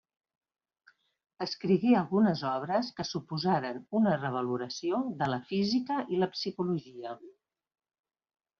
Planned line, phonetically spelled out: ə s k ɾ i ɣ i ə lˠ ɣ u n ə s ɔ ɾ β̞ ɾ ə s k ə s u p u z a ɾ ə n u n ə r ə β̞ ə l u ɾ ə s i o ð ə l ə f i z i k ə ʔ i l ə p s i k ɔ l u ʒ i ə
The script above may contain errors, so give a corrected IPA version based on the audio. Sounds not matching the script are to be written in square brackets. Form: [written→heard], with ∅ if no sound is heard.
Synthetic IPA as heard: ə s k ɾ i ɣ i ə lˠ ɣ u n ə [s→z] ɔ [ɾ→∅] β̞ ɾ ə s k ə s u p u z a ɾ ə n u n ə r ə β̞ ə l u ɾ ə s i o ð ə l ə f i z i k ə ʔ i l ə p s i k [ɔ→u] l u ʒ i ə

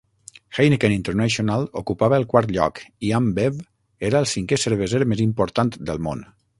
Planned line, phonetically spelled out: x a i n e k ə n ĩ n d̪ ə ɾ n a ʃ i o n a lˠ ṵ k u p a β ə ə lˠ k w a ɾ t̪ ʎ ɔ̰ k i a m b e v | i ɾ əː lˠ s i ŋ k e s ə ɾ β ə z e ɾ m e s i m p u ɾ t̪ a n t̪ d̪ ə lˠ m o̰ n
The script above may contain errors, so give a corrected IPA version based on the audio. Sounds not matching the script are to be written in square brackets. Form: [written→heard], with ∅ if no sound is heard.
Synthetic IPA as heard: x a [i→j] n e k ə n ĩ n [d̪→t̪] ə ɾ n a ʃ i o n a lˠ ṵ k u p a β ə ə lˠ k w a ɾ t̪ ʎ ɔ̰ k i a m b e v | [i→e] ɾ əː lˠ s i ŋ k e s ə ɾ β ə z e ɾ m e [s→z] i m p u ɾ t̪ a n t̪ d̪ ə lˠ m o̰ n

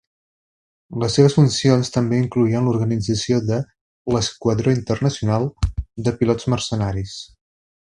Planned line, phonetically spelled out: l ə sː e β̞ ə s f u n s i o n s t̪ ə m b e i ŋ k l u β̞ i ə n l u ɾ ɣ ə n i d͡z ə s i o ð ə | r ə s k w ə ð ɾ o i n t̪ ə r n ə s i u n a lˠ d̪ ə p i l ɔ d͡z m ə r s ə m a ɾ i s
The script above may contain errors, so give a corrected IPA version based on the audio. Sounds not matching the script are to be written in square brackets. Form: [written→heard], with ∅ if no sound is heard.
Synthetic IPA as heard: l ə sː e β̞ ə s f u n s i o n s t̪ ə m b e i ŋ k l u [β̞→∅] i ə n l u ɾ ɣ ə n i d͡z ə s i o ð ə | [r→l] ə s k w ə ð ɾ o i n t̪ ə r n ə s i u n a lˠ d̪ ə p i l ɔ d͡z m ə r s ə [m→n] a ɾ i s

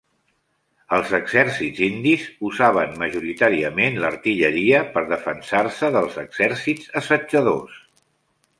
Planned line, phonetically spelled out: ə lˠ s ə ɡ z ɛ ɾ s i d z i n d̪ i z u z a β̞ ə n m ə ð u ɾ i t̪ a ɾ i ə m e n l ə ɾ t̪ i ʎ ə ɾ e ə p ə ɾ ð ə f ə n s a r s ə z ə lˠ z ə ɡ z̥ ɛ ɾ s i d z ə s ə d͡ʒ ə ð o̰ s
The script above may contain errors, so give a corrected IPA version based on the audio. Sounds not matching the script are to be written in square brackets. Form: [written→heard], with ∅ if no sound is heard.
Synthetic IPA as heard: ə lˠ [s→z] ə ɡ z ɛ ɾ s i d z i n d̪ i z u z a β̞ ə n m ə [ð→ʒ] u ɾ i t̪ a ɾ i ə m e n l ə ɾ t̪ i ʎ ə ɾ [e→i] ə p ə ɾ ð ə f ə n s a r s ə [z→ð] ə lˠ z ə ɡ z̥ ɛ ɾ s i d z ə s ə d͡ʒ ə ð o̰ s

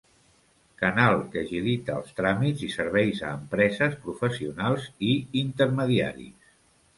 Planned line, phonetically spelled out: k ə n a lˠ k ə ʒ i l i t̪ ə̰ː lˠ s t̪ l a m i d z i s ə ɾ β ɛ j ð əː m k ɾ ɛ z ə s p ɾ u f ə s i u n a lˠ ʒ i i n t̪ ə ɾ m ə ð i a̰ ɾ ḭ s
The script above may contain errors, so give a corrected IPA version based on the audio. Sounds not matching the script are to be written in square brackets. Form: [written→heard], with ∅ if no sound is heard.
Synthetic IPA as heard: k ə n a lˠ k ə ʒ i l i t̪ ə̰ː lˠ s t̪ [l→ɾ] a m i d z i s ə ɾ β ɛ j [ð→z] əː m [k→p] ɾ ɛ z ə s p ɾ u f ə s i u n a lˠ [ʒ→z] i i n t̪ ə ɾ m ə ð i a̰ ɾ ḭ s

